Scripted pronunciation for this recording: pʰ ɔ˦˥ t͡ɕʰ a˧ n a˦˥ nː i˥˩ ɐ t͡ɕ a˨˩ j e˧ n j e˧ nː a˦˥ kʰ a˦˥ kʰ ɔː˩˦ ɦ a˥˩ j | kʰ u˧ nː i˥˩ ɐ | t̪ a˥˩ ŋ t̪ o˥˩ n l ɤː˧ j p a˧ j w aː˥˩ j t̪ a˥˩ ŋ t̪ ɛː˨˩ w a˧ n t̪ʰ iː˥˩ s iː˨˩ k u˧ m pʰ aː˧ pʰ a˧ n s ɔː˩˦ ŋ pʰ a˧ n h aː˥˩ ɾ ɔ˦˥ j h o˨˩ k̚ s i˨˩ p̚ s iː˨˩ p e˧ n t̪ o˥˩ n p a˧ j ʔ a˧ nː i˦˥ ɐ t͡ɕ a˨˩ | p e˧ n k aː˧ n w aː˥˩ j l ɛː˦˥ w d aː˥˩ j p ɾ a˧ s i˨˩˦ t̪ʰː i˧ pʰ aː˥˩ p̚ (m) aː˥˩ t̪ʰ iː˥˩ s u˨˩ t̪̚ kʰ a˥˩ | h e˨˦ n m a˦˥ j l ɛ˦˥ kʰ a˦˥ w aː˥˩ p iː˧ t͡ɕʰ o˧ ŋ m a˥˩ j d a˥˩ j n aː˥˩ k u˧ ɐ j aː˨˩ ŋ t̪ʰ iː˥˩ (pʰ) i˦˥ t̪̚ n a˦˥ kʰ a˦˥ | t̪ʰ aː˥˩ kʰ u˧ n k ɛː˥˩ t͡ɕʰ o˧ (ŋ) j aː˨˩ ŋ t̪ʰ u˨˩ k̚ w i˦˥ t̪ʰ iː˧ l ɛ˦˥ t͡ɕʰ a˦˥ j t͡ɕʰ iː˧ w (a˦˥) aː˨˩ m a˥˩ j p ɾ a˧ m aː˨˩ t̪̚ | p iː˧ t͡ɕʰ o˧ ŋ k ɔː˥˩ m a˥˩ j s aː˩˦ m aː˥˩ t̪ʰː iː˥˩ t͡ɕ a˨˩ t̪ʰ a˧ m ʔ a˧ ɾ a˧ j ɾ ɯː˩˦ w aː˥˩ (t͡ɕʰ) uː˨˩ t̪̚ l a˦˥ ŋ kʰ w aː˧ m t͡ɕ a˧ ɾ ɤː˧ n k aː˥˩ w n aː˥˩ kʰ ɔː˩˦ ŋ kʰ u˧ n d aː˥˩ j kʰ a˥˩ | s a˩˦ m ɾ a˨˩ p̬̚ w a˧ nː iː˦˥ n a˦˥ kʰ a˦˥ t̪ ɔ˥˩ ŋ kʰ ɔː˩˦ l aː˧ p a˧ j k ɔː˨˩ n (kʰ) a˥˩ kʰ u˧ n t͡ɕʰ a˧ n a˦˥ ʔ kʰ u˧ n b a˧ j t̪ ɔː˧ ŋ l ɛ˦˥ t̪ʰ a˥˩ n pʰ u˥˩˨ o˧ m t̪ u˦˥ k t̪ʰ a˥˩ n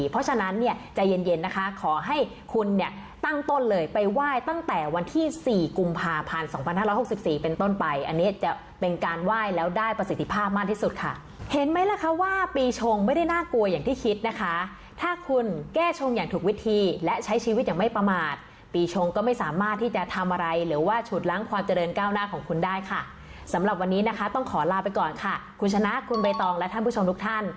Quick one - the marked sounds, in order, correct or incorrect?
correct, incorrect, correct, incorrect, correct, correct

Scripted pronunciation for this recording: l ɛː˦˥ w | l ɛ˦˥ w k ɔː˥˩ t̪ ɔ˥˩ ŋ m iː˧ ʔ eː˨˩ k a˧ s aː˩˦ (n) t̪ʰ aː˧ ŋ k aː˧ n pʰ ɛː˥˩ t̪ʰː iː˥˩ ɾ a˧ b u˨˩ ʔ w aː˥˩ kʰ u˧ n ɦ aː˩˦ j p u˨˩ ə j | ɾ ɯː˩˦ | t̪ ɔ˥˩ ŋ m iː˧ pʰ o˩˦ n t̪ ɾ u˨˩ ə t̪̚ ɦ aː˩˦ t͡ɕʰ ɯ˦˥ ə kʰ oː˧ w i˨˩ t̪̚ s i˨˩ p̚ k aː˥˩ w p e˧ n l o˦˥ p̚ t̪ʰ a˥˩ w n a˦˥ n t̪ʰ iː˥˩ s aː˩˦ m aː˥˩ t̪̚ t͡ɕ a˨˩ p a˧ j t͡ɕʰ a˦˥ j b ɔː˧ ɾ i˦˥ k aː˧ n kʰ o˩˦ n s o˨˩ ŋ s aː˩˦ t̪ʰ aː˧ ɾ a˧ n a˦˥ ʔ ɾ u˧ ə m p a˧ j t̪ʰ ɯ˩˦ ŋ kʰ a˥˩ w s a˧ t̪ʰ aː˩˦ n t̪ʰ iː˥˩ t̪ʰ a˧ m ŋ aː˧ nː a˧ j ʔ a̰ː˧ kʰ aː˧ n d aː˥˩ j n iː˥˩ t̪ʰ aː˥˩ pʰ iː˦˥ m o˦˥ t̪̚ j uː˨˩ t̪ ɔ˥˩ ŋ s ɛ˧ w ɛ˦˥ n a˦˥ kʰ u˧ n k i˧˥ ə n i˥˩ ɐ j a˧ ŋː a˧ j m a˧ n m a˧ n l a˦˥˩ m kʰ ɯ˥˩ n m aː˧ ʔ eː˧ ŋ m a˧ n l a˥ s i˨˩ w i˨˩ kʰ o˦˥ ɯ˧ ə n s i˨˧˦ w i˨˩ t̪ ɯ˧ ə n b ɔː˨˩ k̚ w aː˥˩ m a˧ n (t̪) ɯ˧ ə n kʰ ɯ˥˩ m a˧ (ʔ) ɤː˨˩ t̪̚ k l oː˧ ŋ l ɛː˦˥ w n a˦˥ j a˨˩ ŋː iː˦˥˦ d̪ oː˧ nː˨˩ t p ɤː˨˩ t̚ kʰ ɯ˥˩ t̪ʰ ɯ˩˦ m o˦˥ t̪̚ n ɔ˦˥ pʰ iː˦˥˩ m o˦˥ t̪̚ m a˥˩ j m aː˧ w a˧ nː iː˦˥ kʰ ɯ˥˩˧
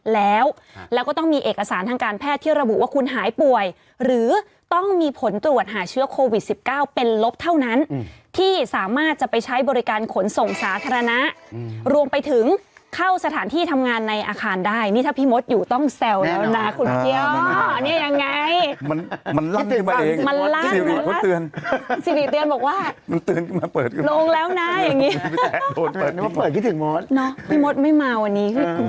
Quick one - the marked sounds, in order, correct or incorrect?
correct, correct, incorrect

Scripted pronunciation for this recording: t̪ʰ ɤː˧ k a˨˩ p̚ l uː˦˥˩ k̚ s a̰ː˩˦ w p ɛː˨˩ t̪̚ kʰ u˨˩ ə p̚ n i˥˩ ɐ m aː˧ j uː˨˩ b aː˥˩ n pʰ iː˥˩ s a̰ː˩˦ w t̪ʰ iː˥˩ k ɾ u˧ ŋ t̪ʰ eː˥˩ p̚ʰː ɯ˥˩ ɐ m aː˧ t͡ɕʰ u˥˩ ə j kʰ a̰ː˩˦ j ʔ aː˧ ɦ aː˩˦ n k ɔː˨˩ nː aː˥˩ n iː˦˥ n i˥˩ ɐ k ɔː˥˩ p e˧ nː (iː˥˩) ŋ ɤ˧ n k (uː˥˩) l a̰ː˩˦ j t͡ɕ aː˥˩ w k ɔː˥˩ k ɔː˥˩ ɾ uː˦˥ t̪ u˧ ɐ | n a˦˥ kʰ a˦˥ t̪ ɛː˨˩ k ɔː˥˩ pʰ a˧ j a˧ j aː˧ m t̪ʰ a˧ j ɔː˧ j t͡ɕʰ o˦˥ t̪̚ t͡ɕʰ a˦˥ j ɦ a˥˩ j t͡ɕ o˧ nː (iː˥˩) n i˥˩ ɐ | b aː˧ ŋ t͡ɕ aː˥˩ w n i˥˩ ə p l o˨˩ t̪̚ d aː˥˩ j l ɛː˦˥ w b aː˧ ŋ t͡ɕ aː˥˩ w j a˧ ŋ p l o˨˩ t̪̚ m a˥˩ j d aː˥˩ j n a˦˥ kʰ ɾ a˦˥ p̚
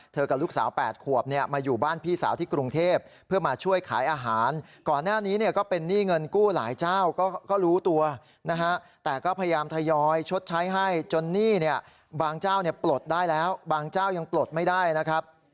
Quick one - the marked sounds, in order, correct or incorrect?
correct, correct, correct

